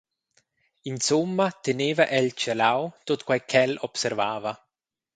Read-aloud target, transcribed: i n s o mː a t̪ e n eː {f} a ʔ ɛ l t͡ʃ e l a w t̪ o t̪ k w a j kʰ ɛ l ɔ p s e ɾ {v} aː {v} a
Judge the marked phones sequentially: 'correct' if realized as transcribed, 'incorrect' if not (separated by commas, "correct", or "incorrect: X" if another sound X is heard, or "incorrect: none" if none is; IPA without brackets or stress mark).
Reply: incorrect: v, correct, correct